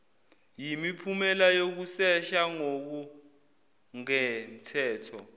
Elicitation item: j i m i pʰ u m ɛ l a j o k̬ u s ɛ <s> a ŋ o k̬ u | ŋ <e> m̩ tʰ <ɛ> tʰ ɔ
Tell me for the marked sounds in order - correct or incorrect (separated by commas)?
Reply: incorrect, incorrect, incorrect